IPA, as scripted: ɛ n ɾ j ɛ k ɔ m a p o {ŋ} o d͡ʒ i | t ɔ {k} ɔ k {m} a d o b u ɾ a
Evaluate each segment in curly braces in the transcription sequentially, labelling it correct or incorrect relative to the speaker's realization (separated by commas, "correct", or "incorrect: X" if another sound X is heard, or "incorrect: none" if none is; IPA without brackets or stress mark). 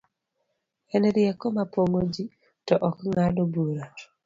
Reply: correct, incorrect: ʔ, incorrect: ŋ